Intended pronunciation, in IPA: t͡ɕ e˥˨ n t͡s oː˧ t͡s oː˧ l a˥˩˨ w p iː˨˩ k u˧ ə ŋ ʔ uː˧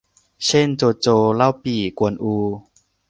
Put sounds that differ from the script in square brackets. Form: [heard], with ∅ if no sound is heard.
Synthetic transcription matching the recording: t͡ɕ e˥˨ n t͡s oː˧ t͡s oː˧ l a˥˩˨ w p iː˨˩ k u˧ ə [n] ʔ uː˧